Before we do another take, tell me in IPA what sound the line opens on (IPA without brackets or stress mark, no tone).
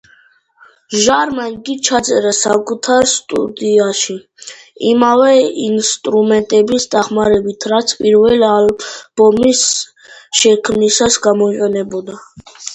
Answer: ʒ